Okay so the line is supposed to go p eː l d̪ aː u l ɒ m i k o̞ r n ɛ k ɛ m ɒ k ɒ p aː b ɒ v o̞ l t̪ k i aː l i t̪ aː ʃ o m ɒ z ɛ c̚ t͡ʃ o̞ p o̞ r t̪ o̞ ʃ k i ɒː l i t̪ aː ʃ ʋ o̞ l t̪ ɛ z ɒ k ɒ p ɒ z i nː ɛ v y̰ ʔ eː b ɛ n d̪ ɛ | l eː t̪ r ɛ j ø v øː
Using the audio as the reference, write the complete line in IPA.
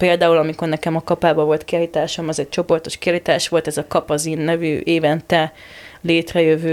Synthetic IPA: p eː l d̪ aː u l ɒ m i k o̞ r n ɛ k ɛ m ɒ k ɒ p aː b ɒ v o̞ l t̪ k i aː l i t̪ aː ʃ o m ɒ z ɛ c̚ t͡ʃ o̞ p o̞ r t̪ o̞ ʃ k i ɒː l i t̪ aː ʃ ʋ o̞ l t̪ ɛ z ɒ k ɒ p ɒ z i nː ɛ v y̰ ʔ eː v ɛ n t̪ ɛ | l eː t̪ r ɛ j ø v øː